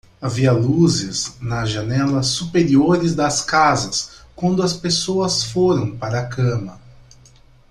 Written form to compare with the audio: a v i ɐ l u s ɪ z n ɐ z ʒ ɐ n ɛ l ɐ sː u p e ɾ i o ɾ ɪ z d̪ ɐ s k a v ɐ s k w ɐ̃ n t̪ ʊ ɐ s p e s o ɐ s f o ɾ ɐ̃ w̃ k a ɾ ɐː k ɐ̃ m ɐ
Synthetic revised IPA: a v i ɐ l u z ɪ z n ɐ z ʒ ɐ n ɛ l ɐ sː u p e ɾ i o ɾ ɪ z d̪ ɐ s k a z ɐ s k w ɐ̃ n d̪ ʊ ɐ s p e s o ɐ s f o ɾ ɐ̃ w̃ p a ɾ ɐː k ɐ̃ m ɐ